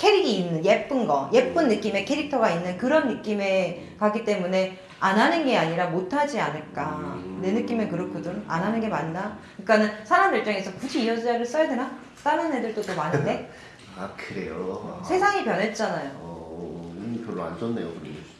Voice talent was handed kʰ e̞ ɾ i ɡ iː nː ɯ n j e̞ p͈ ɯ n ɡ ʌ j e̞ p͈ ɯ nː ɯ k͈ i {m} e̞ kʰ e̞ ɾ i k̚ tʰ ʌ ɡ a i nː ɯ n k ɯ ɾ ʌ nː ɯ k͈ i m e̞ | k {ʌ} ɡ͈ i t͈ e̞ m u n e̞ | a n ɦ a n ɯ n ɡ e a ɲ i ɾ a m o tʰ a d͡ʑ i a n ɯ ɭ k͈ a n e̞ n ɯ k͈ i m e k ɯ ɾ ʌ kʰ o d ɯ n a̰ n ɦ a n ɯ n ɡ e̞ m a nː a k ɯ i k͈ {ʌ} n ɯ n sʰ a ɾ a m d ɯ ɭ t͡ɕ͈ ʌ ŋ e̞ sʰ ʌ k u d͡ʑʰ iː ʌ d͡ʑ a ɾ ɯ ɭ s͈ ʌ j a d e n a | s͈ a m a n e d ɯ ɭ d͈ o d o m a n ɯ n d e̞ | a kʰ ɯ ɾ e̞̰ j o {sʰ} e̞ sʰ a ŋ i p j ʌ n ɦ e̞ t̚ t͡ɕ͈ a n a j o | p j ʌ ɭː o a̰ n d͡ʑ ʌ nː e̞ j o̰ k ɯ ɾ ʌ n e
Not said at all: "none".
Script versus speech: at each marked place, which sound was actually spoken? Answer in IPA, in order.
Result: m, a, a, sʰ

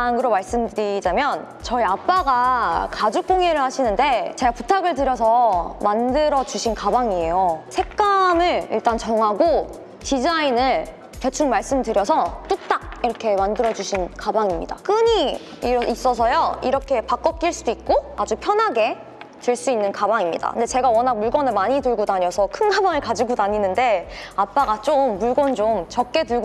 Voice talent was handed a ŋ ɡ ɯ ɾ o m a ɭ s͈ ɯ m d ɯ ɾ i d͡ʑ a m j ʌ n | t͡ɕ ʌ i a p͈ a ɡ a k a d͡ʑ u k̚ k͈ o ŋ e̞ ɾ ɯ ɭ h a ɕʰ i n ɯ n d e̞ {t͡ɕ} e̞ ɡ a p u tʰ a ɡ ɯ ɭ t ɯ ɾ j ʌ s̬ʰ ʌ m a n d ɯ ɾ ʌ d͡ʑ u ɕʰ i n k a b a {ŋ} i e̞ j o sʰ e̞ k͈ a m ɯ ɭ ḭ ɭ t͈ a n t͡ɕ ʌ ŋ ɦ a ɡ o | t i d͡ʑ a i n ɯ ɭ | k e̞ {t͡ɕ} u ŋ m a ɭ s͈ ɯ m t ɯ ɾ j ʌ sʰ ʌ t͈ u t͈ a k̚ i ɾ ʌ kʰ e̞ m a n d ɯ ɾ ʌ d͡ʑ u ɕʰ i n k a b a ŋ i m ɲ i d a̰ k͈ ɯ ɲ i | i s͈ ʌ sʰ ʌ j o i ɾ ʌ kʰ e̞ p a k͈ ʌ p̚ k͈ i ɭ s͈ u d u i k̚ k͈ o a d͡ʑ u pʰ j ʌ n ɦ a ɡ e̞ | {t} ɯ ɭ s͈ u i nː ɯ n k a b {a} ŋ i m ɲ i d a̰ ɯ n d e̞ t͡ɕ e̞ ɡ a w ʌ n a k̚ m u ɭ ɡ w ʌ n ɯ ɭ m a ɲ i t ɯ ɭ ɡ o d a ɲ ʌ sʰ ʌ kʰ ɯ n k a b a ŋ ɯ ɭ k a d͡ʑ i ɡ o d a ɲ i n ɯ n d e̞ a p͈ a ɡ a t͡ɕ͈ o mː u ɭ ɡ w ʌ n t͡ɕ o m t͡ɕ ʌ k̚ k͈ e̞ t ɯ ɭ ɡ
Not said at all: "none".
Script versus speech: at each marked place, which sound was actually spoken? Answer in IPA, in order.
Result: t͡ɕ, ŋ, t͡ɕʰ, t, a

